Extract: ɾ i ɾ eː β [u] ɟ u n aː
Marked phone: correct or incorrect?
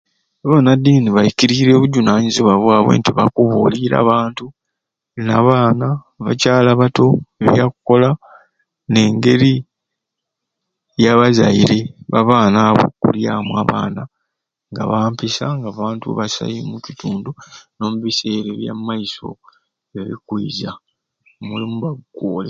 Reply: correct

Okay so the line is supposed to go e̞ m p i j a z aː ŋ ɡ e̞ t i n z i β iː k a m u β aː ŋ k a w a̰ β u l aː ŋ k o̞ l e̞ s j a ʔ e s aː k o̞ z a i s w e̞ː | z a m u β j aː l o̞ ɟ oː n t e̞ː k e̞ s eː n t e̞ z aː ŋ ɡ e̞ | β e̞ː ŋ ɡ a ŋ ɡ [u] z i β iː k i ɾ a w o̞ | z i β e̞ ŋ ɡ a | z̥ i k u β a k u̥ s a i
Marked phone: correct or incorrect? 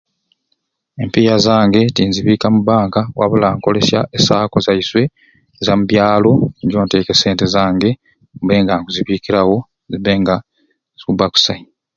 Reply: correct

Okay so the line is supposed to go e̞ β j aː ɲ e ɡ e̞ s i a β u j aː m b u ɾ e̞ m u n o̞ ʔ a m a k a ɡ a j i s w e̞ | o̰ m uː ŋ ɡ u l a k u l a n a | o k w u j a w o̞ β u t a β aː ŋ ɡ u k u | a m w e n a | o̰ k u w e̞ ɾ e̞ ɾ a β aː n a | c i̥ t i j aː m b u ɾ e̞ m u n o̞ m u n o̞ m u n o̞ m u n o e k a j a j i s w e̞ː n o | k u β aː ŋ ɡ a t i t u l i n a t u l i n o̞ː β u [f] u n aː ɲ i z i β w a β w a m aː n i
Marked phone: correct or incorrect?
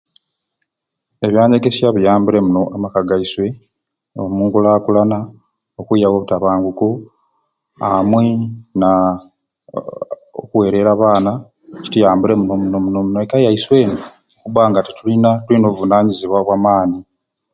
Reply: incorrect: v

